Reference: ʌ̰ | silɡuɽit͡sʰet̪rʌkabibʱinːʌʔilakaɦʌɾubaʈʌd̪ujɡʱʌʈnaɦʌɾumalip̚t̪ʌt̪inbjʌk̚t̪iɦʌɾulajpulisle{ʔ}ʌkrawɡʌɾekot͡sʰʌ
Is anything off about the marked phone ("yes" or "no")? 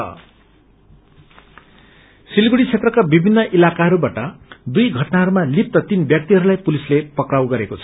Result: yes